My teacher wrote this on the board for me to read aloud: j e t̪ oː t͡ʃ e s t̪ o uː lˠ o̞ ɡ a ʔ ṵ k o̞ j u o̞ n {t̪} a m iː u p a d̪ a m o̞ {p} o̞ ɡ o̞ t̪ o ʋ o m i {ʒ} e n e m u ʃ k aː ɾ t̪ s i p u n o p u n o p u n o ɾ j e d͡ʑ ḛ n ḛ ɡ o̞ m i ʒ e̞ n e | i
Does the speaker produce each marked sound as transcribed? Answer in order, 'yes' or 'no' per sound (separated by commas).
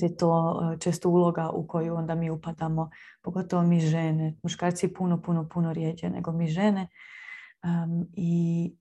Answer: no, yes, yes